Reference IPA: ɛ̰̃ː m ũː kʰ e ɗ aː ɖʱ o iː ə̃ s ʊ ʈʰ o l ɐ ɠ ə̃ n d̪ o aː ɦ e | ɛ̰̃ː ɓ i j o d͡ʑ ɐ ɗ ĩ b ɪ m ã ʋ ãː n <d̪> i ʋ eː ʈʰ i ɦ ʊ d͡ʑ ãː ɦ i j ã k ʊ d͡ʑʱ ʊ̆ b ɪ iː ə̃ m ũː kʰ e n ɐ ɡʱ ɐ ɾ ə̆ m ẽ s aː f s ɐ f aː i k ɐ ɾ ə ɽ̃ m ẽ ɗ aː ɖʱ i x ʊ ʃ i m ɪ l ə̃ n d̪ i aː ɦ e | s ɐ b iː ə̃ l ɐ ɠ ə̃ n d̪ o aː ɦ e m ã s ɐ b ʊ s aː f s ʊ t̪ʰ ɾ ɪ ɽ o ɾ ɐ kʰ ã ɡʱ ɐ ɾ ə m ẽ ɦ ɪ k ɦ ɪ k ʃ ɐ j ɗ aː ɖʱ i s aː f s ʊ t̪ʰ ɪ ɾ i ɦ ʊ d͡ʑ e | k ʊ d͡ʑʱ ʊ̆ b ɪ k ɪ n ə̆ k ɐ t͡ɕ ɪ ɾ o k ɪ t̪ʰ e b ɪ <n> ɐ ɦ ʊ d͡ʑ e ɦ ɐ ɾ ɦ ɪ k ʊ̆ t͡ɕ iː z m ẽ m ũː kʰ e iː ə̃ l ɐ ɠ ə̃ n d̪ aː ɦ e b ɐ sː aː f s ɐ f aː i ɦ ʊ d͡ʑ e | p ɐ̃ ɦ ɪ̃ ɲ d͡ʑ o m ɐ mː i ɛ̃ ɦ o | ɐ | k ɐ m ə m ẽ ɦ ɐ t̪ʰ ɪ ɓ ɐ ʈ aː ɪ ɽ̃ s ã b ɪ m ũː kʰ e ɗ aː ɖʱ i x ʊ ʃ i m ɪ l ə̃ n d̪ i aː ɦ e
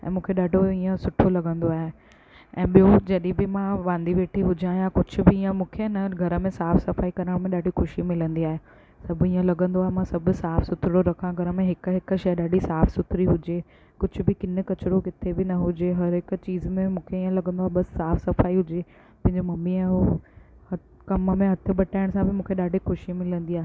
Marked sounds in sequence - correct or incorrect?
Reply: correct, correct

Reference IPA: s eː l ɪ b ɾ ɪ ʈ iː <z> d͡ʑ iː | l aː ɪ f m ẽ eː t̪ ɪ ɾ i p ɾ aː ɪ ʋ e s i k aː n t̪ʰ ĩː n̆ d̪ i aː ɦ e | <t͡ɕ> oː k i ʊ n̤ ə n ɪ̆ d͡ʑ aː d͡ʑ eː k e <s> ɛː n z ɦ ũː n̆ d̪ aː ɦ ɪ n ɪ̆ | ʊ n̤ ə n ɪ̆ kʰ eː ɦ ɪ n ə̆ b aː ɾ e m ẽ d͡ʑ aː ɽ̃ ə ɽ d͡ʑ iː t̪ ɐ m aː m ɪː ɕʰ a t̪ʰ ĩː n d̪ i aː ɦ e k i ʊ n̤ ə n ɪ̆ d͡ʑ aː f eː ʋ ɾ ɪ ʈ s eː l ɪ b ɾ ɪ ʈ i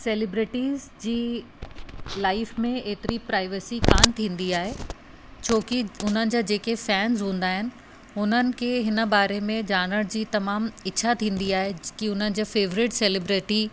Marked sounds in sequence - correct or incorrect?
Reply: correct, incorrect: t͡ɕʰ, incorrect: f

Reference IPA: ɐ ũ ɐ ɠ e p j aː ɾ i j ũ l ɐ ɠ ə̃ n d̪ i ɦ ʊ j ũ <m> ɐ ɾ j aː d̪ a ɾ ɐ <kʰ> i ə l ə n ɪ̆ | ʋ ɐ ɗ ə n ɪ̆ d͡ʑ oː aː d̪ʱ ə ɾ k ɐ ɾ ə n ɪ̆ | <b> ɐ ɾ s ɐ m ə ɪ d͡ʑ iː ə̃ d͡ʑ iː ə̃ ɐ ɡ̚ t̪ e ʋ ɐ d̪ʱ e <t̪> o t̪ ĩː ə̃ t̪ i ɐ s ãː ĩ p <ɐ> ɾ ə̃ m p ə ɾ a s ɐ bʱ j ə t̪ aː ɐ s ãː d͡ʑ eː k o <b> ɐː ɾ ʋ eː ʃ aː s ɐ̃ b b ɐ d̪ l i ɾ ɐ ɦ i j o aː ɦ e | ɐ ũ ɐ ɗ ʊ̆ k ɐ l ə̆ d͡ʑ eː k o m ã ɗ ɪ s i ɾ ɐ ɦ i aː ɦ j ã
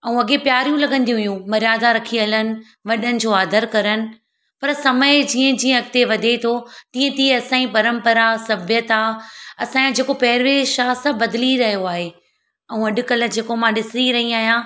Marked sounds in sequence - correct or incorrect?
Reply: correct, correct, incorrect: p, incorrect: t̪ʰ, correct, incorrect: p

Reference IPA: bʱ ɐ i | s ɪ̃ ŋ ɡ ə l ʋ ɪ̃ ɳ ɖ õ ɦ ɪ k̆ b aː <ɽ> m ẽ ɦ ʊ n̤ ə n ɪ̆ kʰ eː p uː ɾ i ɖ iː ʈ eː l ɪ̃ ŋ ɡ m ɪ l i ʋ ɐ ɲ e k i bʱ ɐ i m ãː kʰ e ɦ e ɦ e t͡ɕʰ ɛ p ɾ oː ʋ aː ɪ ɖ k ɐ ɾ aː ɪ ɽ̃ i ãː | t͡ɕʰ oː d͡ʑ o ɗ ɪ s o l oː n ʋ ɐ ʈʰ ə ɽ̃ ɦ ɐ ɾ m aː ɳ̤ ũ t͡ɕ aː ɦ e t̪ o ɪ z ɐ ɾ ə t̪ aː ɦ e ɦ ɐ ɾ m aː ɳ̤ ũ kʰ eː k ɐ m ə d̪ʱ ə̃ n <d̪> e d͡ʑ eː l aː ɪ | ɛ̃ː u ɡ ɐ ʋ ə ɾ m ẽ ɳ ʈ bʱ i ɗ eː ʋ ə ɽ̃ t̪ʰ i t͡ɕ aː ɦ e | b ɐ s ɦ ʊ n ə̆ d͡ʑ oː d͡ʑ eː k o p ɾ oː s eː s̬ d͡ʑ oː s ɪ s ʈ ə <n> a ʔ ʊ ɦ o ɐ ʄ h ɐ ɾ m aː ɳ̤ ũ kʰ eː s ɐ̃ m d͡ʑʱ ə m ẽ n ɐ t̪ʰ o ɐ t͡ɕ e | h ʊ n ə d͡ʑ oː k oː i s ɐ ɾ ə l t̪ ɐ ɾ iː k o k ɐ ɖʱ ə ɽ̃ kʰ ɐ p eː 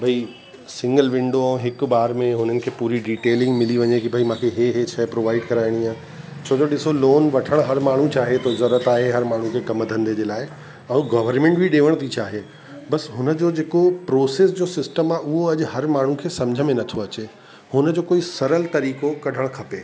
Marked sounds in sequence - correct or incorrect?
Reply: incorrect: ɾ, correct, incorrect: m

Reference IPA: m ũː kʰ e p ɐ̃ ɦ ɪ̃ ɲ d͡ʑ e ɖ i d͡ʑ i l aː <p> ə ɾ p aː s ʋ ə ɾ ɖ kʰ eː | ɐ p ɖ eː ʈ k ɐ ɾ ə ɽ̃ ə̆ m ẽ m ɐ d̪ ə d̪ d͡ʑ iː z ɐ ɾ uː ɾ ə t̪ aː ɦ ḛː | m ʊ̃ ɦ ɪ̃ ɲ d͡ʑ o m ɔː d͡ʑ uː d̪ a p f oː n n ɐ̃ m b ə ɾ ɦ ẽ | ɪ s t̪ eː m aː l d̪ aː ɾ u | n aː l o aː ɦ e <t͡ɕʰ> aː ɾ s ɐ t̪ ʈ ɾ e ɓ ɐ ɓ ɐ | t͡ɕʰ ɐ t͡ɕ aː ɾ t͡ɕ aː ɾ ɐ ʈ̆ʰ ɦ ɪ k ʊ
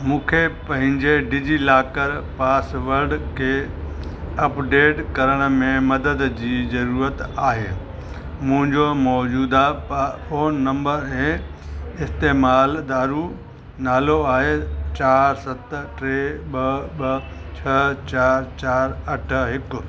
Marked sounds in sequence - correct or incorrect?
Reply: incorrect: k, incorrect: t͡ɕ

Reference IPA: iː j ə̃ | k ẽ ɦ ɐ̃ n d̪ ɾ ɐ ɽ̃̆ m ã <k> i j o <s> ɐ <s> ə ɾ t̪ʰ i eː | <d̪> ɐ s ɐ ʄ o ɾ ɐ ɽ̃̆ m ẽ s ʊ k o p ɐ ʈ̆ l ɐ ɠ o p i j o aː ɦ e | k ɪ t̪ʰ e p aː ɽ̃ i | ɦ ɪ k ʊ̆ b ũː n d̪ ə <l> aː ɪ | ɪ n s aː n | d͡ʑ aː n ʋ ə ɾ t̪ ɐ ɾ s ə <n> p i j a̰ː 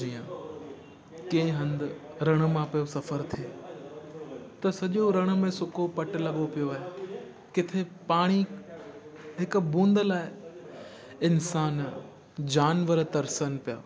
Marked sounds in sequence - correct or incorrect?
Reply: incorrect: p, correct, incorrect: f, incorrect: t̪, correct, correct

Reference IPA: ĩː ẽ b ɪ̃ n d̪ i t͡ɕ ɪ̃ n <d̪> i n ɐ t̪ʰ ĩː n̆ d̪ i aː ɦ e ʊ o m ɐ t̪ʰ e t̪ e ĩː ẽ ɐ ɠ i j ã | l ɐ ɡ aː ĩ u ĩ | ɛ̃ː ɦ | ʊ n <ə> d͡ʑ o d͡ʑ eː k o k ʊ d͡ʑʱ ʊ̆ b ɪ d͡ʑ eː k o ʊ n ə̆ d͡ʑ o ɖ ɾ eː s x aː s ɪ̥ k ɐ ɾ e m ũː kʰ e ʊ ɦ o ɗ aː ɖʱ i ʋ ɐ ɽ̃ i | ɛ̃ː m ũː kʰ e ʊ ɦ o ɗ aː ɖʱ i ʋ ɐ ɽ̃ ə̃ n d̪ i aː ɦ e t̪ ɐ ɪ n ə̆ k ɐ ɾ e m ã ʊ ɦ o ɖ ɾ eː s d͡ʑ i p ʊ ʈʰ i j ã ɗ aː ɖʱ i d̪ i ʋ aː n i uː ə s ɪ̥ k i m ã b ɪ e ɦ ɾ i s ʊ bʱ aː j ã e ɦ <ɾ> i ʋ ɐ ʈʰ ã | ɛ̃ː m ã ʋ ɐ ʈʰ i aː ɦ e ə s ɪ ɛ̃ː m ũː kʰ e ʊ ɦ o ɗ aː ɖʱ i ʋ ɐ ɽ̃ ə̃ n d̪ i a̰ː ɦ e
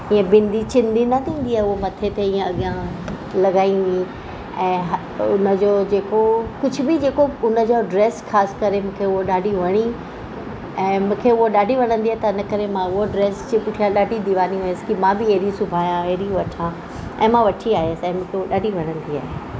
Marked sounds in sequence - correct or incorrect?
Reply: correct, correct, correct

